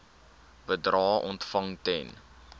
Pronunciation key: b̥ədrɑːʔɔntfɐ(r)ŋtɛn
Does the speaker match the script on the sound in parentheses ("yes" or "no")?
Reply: no